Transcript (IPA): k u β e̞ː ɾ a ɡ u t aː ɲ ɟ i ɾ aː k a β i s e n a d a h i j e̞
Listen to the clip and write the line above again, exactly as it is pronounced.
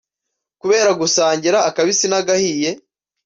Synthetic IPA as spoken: k u β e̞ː ɾ a ɡ u s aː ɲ ɟ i ɾ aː k a β i s i n a ɡ a h i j e̞